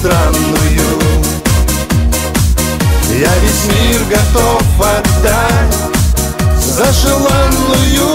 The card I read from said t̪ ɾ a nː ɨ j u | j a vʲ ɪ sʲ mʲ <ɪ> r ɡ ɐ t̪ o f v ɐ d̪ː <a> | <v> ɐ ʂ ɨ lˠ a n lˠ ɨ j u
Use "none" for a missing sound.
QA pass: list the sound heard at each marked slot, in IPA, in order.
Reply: i, a, z

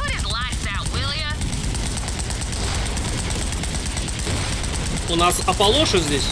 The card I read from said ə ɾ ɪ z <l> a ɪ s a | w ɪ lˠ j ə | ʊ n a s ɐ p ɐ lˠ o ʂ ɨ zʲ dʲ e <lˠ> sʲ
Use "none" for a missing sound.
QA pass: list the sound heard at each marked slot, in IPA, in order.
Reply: l, none

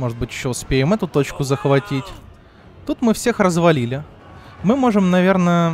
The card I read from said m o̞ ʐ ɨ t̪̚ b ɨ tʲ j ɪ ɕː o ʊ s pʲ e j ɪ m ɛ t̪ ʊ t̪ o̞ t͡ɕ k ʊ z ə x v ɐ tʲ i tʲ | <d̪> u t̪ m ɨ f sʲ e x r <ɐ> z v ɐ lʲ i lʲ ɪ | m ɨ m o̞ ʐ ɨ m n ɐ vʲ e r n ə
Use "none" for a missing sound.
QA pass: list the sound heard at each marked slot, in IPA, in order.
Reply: t̪, ə

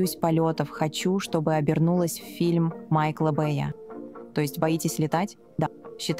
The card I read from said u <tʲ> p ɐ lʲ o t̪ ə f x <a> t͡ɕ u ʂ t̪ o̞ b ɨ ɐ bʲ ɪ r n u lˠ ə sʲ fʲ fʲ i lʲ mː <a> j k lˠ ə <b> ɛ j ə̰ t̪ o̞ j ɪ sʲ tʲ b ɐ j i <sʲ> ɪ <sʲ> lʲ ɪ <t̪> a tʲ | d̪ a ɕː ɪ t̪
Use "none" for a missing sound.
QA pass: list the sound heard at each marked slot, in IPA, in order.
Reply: sʲ, ɐ, a, b, tʲ, sʲ, t̪

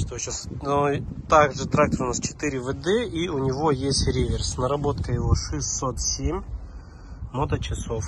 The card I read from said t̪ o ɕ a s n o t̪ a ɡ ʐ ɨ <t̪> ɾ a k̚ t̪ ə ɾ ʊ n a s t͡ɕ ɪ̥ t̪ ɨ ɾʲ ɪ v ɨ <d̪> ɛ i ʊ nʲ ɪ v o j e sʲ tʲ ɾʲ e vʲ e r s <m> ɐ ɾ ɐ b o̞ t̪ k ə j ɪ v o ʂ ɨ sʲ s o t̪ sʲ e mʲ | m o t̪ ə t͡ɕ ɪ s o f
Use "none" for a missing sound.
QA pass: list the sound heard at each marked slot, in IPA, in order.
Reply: t̪, d̪, n

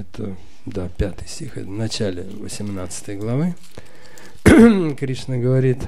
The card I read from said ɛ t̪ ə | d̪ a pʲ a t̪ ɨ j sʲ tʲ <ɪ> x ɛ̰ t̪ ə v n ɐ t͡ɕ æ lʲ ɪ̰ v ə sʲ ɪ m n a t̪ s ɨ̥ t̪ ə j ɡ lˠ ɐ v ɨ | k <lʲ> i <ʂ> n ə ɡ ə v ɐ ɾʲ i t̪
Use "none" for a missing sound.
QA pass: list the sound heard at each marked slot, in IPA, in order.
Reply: i, ɾʲ, ʂ

